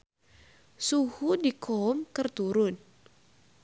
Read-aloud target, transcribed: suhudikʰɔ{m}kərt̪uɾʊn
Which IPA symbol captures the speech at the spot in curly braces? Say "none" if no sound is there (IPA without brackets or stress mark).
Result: m